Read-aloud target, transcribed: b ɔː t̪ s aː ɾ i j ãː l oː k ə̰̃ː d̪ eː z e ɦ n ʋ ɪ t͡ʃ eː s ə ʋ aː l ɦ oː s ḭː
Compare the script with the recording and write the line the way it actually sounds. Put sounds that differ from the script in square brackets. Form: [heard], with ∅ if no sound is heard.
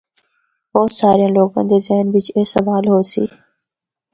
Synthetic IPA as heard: b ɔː t̪ s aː ɾ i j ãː l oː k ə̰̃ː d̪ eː z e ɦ n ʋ ɪ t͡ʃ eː s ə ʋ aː l ɦ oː s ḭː

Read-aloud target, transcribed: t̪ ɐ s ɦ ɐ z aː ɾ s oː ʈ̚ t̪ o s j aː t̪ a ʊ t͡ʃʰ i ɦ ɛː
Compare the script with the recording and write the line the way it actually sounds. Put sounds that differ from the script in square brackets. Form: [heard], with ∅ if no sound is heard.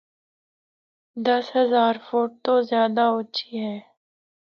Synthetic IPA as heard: [d̪] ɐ s ɦ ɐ z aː ɾ [f] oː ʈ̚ t̪ o [z] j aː [d̪] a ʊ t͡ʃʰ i ɦ ɛː

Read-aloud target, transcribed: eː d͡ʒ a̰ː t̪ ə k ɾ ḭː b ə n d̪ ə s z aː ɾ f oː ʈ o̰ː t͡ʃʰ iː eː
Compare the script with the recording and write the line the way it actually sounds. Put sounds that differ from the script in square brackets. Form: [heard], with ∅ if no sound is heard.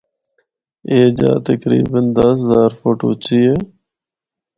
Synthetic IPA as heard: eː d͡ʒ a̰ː t̪ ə k ɾ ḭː b ə n d̪ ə s z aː ɾ f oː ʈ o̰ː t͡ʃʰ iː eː

